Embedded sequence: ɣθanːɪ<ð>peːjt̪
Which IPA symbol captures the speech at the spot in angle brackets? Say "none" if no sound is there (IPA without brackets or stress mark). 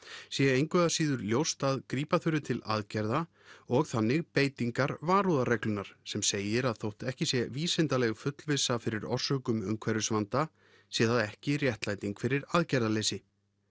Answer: ɣ